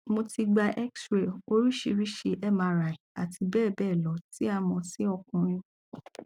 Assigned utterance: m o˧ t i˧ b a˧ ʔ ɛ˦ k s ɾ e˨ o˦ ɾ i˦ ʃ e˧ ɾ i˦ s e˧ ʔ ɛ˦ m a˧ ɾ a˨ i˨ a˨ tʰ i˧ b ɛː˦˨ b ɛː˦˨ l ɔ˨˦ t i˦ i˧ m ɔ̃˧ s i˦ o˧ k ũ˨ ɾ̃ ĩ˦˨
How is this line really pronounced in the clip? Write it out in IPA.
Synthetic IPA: m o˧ t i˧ ɡ͡b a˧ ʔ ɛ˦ k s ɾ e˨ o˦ ɾ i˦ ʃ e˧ ɾ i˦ ʃ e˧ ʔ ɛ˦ m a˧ ɾ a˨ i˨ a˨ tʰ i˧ b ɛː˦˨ b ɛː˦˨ l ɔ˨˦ t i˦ a˧ m ɔ̃˧ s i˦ ɔ˧ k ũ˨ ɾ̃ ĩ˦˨